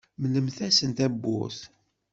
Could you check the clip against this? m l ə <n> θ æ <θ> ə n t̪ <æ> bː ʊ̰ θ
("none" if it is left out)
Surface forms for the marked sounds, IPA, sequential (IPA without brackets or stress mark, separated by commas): m, s, æ